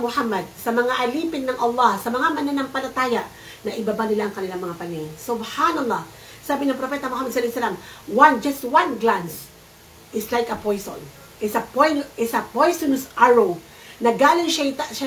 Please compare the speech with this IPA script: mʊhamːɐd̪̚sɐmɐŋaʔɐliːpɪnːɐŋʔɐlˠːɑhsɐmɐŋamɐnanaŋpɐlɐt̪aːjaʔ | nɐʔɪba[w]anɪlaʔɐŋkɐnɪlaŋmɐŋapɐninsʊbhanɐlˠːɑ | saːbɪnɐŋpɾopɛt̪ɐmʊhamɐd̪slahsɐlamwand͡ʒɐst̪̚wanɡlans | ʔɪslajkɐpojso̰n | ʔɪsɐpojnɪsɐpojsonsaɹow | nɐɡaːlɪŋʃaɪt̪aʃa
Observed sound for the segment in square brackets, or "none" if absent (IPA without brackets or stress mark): b